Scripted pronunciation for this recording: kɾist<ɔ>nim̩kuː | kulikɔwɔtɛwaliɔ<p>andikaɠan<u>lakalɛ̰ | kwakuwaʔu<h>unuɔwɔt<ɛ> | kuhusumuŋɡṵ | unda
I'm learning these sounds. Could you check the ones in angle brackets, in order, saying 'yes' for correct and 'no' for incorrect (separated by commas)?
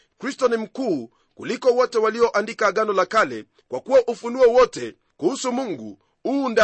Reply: yes, no, no, no, yes